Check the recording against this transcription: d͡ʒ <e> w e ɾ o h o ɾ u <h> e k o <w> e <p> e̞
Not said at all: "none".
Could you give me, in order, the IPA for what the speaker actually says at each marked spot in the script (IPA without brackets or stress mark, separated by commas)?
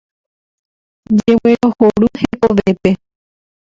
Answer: e, h, ʋ, p